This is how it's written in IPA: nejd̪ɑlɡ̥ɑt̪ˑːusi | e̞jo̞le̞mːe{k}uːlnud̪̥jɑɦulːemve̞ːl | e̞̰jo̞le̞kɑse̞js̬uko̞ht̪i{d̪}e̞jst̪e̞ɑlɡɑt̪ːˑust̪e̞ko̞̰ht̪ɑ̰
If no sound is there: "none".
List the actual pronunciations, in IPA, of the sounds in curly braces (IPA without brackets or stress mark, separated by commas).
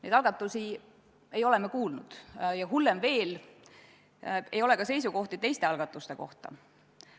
k, t̪